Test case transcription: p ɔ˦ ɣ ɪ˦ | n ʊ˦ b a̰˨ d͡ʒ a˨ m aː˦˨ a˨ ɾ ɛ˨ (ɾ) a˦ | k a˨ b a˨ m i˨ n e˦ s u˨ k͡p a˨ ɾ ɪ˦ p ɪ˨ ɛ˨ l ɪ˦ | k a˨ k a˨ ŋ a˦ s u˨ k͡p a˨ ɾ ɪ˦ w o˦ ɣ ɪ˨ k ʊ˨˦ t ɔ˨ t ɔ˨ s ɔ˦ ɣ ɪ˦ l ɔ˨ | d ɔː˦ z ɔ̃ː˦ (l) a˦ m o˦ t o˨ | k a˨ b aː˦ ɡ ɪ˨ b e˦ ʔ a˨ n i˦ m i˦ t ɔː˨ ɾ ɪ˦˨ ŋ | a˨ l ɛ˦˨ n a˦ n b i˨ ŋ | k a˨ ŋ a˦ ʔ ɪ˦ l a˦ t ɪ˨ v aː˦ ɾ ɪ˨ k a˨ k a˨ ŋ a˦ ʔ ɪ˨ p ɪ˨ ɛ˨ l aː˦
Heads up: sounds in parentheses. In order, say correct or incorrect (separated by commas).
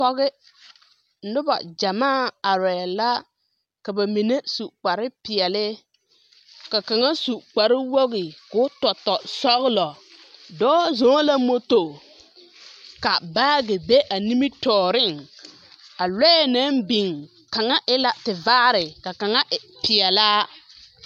incorrect, correct